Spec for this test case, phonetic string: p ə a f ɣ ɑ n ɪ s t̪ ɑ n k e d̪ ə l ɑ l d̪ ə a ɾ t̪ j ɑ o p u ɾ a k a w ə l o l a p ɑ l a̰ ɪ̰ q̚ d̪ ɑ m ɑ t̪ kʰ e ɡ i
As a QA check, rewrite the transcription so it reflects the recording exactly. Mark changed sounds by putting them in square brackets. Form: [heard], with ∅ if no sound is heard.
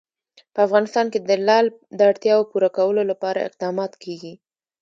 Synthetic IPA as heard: p ə a f ɣ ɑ n ɪ s t̪ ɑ n k e d̪ ə l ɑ l d̪ ə a [ɽ] t̪ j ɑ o p u ɾ a k a w ə l o l a p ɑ [ɾ] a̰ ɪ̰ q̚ d̪ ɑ m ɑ t̪ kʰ e ɡ i